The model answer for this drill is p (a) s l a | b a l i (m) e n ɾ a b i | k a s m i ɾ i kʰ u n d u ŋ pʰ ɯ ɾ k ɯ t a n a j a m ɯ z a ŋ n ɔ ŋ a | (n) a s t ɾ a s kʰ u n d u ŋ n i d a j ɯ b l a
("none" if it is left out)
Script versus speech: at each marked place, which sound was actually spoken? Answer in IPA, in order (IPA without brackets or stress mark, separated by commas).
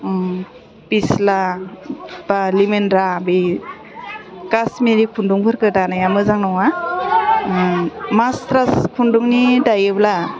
i, m, m